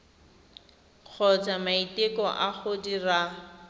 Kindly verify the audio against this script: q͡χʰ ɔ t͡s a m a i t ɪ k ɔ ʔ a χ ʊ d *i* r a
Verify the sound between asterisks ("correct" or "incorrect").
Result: correct